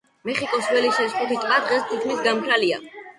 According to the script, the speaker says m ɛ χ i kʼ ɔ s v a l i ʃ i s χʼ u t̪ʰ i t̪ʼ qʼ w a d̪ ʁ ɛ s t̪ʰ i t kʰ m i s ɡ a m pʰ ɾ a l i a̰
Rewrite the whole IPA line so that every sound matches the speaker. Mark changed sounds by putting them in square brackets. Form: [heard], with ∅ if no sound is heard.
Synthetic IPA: m ɛ χ i kʼ ɔ s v [ɛ] l i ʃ [ɛ] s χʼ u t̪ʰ i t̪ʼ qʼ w a d̪ ʁ ɛ s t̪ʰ i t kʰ m i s ɡ a m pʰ ɾ a l i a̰